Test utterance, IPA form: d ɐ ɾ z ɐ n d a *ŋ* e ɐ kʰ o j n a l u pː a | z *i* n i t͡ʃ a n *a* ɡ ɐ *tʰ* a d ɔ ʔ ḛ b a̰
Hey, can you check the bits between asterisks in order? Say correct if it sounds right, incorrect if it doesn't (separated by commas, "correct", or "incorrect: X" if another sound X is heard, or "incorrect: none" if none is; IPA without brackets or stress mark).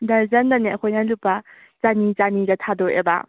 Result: incorrect: n, incorrect: a, incorrect: i, correct